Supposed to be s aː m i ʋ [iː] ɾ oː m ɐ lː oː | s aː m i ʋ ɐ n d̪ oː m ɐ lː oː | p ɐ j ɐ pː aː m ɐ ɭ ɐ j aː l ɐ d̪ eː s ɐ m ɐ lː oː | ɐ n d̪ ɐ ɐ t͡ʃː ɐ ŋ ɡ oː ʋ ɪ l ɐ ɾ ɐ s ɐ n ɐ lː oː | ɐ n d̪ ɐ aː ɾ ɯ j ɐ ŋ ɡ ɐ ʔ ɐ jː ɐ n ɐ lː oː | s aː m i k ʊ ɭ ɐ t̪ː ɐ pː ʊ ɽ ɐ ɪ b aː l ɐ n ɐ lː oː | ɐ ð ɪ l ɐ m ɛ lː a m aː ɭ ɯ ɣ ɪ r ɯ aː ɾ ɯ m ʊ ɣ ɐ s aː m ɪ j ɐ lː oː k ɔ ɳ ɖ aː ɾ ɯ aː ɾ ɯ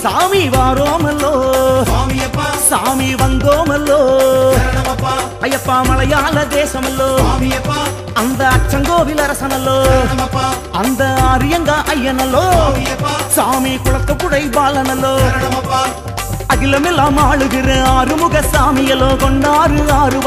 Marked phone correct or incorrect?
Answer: incorrect